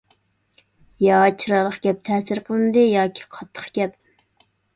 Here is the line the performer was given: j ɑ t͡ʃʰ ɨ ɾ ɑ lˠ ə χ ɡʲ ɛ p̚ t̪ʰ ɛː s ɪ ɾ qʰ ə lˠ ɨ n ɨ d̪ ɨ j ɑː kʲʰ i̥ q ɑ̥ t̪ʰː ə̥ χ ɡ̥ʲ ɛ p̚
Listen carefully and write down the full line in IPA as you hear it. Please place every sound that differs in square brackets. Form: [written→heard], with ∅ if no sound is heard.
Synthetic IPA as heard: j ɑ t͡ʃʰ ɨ ɾ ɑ lˠ ə χ ɡʲ ɛ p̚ t̪ʰ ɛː s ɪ ɾ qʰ ə lˠ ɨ n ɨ d̪ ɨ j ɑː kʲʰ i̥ [q→qʰ] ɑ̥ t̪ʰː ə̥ χ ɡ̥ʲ ɛ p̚